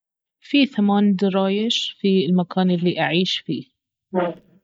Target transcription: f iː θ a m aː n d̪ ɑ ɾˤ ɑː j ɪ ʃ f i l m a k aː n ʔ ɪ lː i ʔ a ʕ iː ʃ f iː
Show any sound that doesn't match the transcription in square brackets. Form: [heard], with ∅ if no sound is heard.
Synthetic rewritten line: f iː θ a m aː n d̪ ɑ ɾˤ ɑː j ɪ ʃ f i l m a k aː n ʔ ɪ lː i ʔ a ʕ iː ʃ f iː